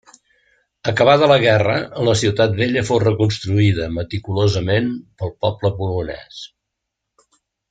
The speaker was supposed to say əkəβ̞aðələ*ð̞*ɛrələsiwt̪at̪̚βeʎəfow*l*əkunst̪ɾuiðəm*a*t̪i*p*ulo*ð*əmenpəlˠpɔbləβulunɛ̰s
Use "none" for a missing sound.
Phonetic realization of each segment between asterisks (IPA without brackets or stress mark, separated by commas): ɣ̞, r, ə, k, z